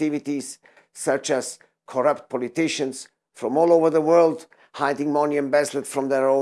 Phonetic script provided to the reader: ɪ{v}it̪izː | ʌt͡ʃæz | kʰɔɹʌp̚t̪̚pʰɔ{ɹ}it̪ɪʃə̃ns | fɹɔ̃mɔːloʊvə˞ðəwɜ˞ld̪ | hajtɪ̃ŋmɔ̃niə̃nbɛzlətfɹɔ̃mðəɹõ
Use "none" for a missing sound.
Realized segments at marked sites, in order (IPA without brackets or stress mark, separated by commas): v, l